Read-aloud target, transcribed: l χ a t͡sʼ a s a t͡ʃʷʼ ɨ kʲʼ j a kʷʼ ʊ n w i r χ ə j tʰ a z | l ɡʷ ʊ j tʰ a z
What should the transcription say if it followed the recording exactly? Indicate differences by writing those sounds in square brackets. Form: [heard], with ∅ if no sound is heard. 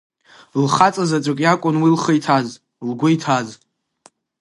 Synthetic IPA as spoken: l χ a t͡sʼ a [z] a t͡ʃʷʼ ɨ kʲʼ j a kʷʼ ʊ n w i [l] χ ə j tʰ a z | l ɡʷ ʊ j tʰ a z